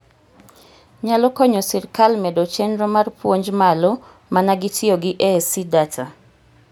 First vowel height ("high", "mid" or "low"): low